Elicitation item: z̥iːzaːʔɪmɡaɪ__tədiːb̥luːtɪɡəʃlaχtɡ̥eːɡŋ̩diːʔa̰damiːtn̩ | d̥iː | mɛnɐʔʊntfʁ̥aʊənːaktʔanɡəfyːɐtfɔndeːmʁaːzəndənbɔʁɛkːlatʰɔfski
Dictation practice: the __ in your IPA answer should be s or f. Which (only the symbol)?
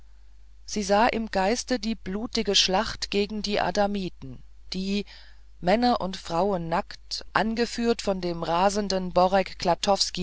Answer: s